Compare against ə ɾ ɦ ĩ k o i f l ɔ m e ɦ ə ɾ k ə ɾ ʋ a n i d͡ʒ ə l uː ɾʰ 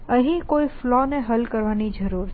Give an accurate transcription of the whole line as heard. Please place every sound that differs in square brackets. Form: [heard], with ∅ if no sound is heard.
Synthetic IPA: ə [∅] ɦ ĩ k o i f l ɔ [n] e ɦ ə [l] k ə ɾ ʋ a n i d͡ʒ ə [ɾ] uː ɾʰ